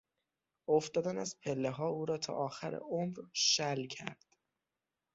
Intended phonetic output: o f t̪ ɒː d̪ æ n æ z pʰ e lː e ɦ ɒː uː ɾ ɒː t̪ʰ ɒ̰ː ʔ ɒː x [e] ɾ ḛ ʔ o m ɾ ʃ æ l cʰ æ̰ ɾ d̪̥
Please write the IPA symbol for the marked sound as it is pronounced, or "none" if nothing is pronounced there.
æ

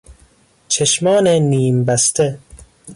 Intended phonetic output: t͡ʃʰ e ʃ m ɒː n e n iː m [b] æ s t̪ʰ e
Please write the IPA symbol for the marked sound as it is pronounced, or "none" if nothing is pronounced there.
b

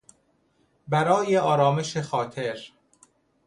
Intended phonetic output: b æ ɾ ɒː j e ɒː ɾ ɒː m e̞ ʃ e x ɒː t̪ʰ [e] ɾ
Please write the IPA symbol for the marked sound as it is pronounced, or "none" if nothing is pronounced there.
e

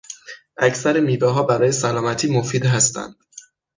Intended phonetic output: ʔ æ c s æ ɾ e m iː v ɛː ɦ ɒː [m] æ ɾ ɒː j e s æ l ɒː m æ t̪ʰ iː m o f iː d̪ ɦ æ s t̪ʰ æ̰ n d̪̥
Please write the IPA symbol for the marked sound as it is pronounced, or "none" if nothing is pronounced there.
b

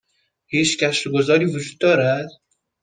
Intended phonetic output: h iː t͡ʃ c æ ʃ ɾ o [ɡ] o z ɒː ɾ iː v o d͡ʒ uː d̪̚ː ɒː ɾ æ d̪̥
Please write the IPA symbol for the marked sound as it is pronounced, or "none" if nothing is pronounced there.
ɡ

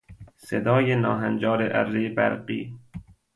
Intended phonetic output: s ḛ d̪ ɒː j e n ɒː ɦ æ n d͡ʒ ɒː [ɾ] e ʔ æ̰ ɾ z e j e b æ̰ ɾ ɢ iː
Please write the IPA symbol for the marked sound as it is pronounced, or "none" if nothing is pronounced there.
ɾ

